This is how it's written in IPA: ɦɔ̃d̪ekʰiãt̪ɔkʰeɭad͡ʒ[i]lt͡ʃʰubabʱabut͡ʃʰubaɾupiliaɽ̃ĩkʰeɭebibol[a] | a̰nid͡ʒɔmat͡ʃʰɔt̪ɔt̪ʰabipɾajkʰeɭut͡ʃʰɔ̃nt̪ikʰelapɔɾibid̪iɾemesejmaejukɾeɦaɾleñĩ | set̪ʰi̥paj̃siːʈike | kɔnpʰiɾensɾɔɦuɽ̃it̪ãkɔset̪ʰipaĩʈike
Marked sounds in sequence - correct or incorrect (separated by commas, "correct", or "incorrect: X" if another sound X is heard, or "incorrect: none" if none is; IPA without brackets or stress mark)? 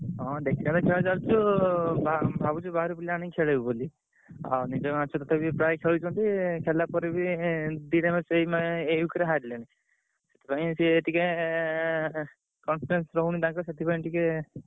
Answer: incorrect: a, incorrect: i